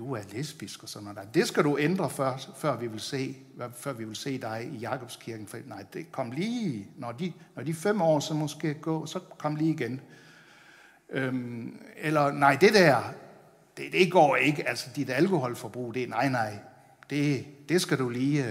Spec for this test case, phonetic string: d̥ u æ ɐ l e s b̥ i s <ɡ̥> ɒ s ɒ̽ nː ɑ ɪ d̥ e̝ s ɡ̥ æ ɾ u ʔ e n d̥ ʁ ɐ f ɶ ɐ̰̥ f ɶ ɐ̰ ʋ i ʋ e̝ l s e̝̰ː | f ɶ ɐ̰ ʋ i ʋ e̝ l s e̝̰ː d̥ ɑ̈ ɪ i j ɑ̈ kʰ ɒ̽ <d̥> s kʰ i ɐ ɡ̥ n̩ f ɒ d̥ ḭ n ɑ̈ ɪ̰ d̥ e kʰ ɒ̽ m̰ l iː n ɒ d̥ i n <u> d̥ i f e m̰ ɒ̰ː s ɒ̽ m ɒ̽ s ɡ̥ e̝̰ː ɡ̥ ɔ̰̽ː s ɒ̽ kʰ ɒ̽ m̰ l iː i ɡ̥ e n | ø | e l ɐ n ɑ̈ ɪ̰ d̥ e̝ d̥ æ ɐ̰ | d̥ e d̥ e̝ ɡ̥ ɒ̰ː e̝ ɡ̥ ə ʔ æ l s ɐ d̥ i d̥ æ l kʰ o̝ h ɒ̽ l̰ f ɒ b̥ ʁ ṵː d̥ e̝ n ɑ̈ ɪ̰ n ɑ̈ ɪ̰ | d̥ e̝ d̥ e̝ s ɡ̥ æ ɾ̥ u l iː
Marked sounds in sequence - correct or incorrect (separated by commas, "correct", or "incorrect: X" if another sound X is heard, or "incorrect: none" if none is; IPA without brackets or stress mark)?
correct, incorrect: b̥, incorrect: ɒ